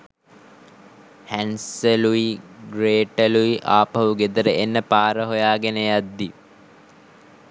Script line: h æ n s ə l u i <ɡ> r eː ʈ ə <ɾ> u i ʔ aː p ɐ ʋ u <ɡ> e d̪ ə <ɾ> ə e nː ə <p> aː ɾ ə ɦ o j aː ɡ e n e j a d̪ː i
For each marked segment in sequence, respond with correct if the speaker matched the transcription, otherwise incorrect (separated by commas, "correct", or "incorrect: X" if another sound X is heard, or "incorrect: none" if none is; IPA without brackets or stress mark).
correct, incorrect: l, correct, correct, correct